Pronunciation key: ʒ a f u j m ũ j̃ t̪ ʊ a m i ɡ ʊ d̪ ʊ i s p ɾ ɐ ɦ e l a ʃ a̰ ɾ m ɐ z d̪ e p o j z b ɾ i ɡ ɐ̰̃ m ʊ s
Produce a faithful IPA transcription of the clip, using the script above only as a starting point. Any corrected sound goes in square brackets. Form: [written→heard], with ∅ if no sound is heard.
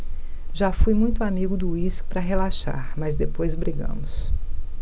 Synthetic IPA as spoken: ʒ a f u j m ũ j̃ t̪ ʊ a m i ɡ ʊ d̪ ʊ i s p ɾ ɐ ɦ e l a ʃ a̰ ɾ m ɐ z d̪ e p o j z b ɾ i ɡ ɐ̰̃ m ʊ s